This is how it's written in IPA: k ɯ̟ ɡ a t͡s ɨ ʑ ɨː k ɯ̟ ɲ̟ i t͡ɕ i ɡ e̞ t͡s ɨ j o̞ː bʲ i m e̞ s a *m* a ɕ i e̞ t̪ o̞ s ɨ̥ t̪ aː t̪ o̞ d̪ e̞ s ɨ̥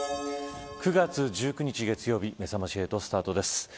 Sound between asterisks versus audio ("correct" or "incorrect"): correct